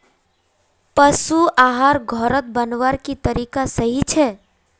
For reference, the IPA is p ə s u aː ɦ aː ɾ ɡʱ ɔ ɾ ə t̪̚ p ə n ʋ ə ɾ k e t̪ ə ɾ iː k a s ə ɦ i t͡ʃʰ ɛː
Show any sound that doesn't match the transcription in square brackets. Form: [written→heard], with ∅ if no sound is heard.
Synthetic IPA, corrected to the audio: p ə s u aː ɦ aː ɾ ɡʱ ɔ ɾ ə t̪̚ [p→b] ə n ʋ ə ɾ k [e→i] t̪ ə ɾ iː k a s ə ɦ i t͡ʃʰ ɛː